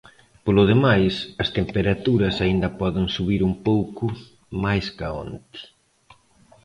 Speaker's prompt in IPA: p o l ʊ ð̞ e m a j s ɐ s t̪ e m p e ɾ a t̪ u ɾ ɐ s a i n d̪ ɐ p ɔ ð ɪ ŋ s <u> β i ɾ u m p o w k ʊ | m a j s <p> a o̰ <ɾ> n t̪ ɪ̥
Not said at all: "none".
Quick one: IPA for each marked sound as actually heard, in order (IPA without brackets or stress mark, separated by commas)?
u, k, none